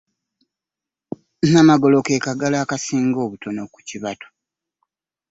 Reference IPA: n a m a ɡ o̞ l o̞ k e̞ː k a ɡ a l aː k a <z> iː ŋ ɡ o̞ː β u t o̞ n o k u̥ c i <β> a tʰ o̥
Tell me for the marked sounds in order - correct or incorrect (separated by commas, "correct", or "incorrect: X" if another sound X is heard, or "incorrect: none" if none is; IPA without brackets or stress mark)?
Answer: incorrect: s, correct